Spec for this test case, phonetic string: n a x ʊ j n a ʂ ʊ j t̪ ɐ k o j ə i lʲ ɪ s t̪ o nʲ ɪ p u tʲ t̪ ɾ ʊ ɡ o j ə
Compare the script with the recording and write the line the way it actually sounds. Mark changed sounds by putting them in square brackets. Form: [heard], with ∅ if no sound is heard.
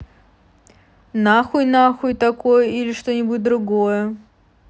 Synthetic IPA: n a x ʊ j n a [x] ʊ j t̪ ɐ k o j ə i lʲ ɪ [ʂ] t̪ o nʲ ɪ [b] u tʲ [d̪] ɾ ʊ ɡ o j ə